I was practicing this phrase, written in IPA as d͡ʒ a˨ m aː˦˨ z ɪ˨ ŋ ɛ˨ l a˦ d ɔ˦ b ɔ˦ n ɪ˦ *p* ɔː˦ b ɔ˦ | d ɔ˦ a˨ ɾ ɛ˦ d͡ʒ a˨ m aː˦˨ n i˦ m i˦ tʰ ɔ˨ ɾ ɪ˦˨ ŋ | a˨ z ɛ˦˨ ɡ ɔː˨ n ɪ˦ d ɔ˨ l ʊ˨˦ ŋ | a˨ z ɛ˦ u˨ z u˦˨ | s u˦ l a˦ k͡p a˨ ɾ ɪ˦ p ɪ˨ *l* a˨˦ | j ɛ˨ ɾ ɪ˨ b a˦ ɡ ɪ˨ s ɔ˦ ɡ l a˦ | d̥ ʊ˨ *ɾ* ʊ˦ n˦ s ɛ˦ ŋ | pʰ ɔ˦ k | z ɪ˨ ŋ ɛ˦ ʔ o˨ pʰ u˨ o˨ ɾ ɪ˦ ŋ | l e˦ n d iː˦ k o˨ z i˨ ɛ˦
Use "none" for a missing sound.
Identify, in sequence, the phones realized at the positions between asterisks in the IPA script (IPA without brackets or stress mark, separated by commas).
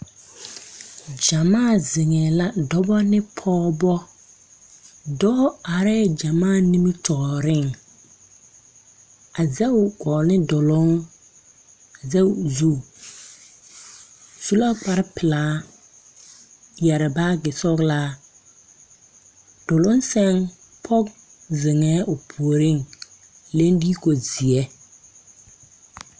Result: pʰ, l, l